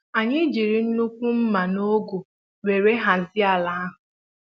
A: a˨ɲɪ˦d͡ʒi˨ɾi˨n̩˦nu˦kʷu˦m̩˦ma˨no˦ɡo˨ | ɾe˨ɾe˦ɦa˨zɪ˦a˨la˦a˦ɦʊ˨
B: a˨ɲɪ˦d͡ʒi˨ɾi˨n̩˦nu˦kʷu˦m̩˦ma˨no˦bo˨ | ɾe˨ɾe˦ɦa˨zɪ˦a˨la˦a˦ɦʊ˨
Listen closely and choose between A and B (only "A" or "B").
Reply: A